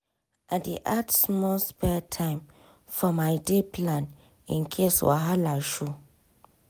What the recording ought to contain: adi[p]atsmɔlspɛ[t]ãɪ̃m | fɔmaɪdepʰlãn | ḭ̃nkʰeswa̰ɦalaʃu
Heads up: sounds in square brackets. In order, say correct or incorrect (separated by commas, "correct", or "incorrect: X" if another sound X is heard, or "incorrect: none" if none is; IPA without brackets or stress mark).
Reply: incorrect: ʔ, incorrect: tʰ